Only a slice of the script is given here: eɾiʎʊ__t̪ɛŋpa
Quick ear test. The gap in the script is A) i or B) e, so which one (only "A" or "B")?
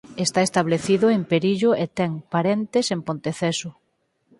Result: B